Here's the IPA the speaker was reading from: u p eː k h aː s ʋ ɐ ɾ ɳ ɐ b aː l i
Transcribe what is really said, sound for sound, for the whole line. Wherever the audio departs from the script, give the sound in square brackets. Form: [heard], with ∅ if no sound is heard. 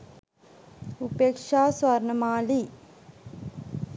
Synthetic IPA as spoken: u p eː k [ʂ] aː s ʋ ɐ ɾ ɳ ɐ [m] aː l i